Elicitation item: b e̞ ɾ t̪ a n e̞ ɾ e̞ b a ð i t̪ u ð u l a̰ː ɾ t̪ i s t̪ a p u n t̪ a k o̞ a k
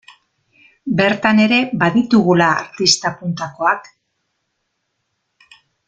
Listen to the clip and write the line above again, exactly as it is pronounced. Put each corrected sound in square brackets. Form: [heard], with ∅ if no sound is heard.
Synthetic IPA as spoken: b e̞ ɾ t̪ a n e̞ ɾ e̞ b a ð i t̪ u [ɣ] u l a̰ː ɾ t̪ i s t̪ a p u n t̪ a k o̞ a k